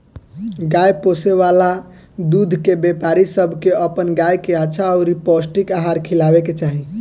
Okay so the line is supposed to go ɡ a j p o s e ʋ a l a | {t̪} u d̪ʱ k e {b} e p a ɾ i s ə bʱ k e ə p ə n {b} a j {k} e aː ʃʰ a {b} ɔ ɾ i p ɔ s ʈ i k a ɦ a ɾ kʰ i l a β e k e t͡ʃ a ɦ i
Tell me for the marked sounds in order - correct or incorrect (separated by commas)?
incorrect, correct, incorrect, correct, incorrect